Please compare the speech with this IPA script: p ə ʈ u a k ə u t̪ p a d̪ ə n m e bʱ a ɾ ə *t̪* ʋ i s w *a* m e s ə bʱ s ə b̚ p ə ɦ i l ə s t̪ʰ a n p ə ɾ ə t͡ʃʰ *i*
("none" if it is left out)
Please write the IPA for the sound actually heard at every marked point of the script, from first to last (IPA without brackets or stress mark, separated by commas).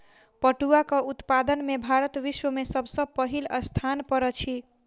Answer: t̪, ə, i